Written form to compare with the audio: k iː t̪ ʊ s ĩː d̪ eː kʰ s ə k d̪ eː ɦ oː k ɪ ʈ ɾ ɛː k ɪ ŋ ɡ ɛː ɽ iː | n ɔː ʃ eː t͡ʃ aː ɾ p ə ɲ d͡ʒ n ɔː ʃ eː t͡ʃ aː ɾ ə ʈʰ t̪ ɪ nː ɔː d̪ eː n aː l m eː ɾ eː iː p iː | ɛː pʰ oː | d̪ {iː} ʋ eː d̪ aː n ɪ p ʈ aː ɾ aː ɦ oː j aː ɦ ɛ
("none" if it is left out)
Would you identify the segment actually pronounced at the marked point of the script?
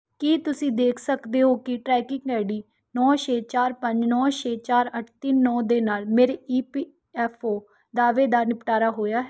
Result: aː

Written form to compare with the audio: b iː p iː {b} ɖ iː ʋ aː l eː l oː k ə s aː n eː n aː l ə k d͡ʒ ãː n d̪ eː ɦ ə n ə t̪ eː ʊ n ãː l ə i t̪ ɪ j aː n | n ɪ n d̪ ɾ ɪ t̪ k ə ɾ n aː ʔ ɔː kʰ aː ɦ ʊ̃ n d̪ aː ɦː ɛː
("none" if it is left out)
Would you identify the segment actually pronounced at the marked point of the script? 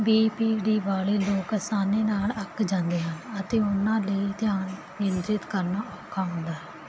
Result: none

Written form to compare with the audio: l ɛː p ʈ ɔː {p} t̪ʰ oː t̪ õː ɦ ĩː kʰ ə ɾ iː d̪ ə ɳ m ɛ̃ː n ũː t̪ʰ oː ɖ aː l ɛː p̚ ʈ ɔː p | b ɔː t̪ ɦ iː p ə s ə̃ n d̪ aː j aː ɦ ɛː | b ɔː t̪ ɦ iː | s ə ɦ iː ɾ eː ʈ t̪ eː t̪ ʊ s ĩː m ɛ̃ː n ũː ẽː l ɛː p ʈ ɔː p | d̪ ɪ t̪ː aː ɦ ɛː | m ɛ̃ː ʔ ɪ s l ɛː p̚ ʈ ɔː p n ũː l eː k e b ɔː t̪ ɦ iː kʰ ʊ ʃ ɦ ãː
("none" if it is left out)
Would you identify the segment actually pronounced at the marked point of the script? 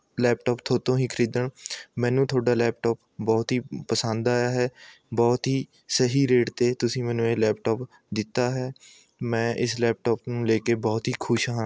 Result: p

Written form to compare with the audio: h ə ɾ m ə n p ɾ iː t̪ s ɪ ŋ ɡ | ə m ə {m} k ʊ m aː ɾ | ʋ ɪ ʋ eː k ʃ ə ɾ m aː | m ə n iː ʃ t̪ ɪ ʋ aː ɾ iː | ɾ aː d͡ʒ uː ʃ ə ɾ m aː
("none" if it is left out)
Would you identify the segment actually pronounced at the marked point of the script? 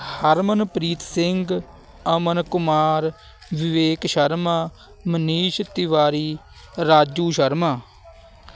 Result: n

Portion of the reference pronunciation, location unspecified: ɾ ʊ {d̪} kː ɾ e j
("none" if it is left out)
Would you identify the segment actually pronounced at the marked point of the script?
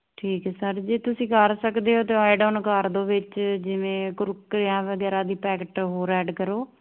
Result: none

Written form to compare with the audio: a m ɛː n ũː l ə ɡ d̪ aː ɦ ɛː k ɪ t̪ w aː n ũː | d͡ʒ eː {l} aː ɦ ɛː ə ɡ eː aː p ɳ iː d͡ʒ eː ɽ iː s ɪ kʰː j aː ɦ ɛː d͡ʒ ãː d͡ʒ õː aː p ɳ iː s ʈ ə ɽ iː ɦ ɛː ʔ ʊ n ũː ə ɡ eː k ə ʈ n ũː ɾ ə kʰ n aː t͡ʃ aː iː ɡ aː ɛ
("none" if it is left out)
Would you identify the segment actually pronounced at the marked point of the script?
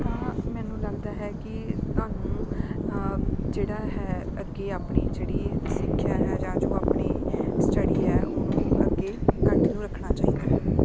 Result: ɽ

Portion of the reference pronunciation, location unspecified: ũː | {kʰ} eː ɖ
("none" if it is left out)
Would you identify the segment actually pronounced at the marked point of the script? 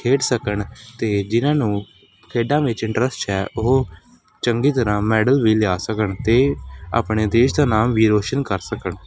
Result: kʰ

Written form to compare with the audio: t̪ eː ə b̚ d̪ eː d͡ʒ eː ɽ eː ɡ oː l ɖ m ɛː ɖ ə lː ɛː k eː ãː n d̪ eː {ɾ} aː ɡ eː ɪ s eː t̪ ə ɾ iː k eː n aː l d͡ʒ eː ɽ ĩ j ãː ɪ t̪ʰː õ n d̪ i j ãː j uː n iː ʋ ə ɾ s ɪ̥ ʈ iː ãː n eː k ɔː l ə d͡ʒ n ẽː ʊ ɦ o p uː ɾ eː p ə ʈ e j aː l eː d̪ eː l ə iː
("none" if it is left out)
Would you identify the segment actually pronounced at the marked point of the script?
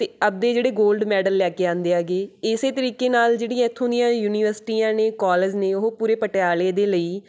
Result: none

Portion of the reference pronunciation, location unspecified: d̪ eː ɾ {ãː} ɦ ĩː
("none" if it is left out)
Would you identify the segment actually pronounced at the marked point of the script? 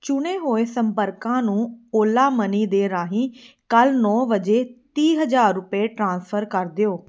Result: aː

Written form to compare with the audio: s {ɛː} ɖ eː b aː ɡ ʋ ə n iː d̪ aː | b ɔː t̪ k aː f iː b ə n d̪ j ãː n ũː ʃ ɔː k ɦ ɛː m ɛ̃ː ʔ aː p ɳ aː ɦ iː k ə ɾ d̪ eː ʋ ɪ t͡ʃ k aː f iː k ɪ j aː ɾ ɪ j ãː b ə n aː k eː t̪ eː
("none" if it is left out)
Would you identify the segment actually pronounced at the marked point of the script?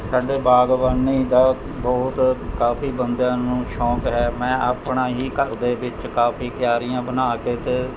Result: aː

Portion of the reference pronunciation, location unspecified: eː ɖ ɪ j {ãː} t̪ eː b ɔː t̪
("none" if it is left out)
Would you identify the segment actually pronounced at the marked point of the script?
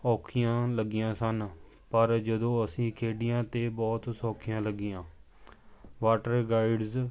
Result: ãː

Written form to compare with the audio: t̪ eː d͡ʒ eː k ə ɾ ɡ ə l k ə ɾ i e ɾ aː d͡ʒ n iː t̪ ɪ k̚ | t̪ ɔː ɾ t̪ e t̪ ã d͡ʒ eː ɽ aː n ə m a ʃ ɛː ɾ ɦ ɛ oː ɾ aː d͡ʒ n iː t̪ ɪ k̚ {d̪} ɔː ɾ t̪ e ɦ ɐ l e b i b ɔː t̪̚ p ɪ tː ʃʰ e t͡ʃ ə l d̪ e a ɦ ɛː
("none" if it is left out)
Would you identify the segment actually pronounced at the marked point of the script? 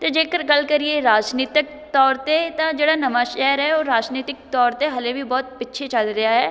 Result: t̪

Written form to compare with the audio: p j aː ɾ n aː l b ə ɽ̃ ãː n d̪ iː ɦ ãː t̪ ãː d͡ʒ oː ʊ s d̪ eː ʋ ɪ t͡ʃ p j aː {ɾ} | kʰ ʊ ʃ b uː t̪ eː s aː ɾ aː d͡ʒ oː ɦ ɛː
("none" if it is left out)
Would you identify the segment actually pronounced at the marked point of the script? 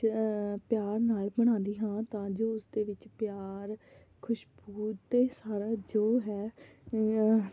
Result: ɾ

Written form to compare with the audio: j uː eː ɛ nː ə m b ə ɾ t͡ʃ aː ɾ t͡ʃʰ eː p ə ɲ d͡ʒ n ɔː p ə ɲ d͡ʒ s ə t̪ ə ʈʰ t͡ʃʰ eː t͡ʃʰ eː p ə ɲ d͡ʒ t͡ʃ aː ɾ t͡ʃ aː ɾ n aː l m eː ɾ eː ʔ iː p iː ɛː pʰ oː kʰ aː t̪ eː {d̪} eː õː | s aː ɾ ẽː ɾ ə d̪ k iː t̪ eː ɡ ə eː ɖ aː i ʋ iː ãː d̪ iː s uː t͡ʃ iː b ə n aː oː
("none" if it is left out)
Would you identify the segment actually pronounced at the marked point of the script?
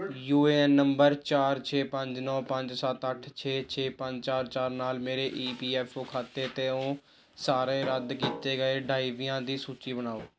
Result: t̪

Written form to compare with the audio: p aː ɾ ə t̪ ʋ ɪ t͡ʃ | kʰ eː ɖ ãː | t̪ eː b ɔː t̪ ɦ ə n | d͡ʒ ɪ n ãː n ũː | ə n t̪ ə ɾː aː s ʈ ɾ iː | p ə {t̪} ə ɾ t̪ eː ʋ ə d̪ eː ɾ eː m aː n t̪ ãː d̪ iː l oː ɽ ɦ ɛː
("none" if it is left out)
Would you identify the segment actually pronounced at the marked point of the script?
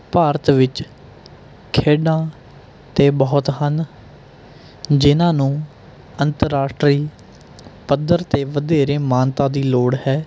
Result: d̪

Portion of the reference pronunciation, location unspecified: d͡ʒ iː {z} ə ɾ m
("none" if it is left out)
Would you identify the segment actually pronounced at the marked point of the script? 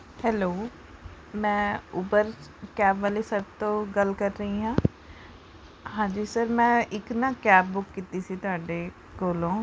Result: s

